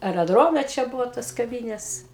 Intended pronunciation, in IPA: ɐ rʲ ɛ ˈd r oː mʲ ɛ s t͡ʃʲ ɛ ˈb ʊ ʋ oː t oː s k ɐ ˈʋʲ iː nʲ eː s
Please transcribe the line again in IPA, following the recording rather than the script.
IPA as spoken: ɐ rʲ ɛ ˈd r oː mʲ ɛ t͡ʃʲ ɛ ˈb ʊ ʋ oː t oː s k ɐ ˈʋʲ iː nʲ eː s